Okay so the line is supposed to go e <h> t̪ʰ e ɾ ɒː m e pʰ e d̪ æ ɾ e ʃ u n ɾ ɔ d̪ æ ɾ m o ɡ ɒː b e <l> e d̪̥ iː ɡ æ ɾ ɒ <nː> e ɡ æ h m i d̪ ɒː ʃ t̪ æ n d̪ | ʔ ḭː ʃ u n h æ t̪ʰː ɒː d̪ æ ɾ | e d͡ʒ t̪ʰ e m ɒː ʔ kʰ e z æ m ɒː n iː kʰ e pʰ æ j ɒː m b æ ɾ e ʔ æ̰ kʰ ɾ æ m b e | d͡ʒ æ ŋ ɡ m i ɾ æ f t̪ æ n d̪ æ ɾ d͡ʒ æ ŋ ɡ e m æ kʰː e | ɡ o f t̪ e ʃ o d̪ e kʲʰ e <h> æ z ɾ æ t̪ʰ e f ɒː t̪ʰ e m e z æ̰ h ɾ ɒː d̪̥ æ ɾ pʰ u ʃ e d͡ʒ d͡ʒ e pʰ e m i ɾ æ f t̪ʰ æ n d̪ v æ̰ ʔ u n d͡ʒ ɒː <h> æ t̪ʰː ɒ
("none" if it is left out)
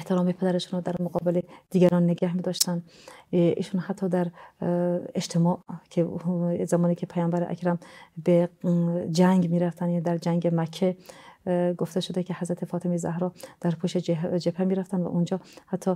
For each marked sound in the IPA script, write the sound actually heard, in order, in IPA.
h, l, nː, h, h

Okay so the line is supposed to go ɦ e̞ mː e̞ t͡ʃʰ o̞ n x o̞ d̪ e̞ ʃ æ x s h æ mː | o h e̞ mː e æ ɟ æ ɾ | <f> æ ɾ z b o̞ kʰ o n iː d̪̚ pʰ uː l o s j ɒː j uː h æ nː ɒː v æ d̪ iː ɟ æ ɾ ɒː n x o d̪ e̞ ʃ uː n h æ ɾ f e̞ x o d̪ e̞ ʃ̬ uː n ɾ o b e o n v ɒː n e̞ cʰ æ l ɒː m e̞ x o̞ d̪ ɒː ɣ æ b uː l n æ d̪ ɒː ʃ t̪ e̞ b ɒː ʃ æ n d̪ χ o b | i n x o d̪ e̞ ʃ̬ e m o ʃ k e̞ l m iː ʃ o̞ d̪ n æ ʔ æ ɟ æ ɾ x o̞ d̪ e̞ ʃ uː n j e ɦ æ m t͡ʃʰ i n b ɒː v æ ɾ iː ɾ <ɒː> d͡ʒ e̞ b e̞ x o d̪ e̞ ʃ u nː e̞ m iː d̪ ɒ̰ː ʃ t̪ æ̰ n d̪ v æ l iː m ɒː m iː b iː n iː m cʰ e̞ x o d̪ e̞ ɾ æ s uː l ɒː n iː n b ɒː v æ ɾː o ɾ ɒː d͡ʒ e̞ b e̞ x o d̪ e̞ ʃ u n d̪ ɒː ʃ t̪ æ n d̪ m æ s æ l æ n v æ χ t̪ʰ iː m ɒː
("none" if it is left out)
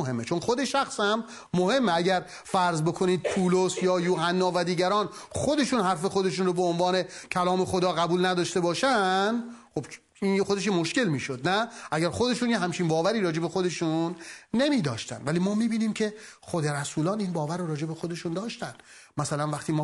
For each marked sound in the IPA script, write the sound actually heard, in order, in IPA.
f, ɒː

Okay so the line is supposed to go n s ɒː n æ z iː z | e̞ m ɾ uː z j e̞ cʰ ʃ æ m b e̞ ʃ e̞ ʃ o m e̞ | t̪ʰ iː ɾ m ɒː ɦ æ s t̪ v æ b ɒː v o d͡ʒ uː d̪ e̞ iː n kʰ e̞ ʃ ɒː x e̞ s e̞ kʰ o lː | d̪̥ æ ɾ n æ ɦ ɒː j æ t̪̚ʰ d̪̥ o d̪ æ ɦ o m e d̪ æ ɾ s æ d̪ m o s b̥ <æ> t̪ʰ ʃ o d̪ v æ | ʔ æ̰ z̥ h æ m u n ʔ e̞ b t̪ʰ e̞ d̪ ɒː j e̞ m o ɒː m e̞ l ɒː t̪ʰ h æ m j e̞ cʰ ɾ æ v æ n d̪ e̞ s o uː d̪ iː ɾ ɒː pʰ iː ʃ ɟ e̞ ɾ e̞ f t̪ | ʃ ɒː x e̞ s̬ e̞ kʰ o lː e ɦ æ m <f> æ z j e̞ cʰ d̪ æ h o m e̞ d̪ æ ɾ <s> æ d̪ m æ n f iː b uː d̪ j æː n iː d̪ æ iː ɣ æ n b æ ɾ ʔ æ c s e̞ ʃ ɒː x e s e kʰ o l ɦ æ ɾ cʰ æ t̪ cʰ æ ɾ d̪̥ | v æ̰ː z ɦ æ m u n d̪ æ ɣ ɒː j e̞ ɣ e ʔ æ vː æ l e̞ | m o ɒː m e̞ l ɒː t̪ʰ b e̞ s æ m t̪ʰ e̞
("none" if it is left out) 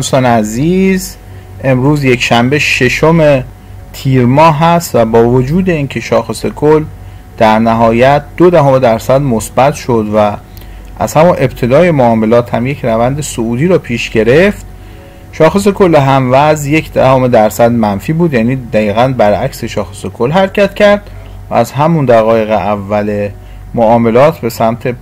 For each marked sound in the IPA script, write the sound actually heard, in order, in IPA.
æ, v, s

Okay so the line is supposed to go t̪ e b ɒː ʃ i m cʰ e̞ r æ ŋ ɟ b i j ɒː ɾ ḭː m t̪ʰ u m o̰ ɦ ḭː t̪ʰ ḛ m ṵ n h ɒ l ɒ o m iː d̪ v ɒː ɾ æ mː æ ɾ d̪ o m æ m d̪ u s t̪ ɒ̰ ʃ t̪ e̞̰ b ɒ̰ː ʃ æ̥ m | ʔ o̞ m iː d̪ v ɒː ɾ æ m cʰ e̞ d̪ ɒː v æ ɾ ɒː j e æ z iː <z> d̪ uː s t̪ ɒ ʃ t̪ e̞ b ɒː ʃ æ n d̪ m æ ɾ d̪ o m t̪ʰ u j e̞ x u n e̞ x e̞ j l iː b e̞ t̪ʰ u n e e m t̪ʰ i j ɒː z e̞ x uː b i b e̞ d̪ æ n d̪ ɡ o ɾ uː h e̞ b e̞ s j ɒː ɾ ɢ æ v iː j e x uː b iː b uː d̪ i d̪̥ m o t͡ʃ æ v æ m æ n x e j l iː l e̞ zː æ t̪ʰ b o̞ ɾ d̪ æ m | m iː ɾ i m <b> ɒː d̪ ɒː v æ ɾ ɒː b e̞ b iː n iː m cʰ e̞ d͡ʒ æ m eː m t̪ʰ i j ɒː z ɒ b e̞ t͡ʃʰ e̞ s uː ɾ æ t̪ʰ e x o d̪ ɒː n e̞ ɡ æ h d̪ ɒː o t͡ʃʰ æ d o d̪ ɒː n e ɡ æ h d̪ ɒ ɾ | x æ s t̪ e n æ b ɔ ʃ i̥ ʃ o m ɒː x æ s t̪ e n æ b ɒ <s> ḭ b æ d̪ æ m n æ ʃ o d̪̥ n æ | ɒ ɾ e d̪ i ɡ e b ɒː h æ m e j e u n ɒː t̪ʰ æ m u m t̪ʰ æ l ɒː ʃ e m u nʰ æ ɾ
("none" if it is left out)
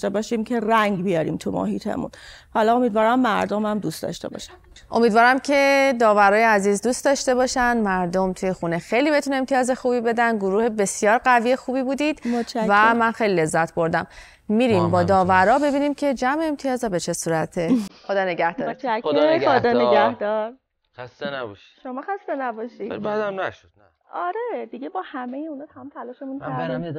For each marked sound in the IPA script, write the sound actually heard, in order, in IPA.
z, b, ʃ

